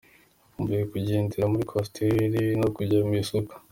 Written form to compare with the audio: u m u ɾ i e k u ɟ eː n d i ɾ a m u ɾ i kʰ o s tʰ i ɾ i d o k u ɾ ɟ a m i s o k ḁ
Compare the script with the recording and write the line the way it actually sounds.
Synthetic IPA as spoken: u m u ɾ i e k u ɟ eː n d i ɾ a m u ɾ i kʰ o s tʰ e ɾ i n o k u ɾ ɟ a m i s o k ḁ